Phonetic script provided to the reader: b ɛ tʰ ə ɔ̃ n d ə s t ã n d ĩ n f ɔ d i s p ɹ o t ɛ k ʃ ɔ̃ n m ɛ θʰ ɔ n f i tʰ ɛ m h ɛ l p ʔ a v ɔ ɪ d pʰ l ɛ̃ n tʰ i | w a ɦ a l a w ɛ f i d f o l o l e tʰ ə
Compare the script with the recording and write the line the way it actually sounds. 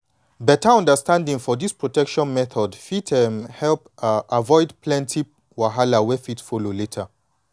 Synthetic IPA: b ɛ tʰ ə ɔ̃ n d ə s t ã n d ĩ ŋ f ɔ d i s p ɹ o t ɛ k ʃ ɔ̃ n m ɛ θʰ ɔ d f i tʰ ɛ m h ɛ l p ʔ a v ɔ ɪ d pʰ l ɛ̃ n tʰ i | w a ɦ a l a w ɛ f i t f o l o l e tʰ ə